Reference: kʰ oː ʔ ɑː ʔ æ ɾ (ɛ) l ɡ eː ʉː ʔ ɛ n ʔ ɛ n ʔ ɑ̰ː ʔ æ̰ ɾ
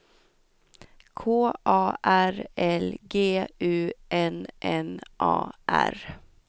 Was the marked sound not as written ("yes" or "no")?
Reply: no